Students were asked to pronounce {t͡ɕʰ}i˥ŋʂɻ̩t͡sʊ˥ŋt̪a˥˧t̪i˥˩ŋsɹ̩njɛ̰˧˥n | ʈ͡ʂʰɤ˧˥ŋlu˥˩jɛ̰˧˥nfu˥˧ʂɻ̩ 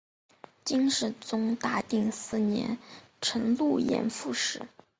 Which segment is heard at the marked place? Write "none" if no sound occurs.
t͡ɕ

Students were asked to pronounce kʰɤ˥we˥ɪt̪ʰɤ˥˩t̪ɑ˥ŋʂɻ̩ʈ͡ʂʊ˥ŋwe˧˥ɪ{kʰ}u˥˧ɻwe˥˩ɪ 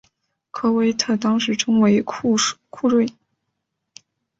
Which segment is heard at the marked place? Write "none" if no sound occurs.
kʰ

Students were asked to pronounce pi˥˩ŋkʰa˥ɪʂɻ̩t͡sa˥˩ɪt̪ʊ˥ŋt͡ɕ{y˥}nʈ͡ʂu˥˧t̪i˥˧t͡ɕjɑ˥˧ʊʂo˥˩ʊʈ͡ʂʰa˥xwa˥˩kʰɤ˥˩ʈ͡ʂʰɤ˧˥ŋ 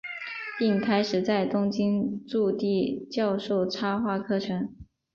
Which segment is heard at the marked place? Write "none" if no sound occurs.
i˥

